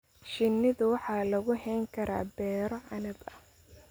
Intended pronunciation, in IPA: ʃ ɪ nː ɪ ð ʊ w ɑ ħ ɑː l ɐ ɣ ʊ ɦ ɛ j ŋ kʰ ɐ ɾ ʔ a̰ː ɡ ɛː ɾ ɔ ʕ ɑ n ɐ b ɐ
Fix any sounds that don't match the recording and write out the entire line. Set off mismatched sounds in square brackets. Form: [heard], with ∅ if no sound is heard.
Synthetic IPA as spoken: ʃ ɪ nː ɪ ð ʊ w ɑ ħ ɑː l ɐ ɣ ʊ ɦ ɛ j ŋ kʰ ɐ ɾ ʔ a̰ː [b] ɛː ɾ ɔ ʕ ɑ n ɐ b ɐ